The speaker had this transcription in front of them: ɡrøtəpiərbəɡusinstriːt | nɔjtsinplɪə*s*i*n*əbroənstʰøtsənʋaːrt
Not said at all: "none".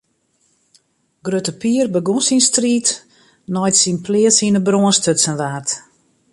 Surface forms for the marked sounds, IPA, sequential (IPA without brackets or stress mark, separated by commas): s, n